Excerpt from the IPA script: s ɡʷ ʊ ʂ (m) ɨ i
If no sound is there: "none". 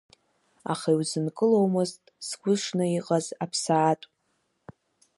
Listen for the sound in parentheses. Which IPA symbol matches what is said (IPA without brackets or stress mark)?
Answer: n